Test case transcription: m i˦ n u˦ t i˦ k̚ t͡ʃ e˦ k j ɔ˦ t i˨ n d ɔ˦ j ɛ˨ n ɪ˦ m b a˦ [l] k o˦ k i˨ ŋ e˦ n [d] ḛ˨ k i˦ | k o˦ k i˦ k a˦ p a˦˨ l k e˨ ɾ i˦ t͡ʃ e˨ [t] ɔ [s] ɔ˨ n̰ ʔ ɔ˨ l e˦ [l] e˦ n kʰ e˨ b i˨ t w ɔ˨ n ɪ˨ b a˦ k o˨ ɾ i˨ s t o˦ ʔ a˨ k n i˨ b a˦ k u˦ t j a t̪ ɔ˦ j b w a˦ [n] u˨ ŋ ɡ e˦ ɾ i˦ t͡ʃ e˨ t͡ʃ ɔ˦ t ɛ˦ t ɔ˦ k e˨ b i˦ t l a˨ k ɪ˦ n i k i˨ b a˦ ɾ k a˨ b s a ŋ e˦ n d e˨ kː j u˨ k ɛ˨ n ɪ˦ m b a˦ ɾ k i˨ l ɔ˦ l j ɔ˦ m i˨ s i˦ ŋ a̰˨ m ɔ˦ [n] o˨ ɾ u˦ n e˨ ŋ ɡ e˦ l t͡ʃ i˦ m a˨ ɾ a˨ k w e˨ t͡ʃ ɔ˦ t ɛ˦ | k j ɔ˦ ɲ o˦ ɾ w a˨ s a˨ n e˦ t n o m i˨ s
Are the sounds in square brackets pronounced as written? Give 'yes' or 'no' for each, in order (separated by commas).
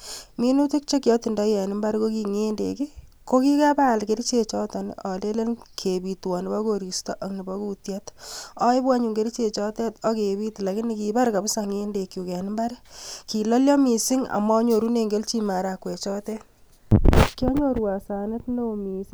no, yes, no, no, yes, no, no